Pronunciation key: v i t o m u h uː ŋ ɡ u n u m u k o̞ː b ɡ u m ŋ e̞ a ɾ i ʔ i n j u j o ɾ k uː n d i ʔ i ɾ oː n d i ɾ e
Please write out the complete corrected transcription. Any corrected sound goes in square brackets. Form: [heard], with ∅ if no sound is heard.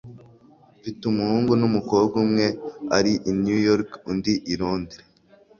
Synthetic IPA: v i t [u] m u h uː ŋ ɡ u n u m u k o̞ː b ɡ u m ŋ e̞ a ɾ i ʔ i n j u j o ɾ k [u] n d i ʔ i ɾ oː n d i ɾ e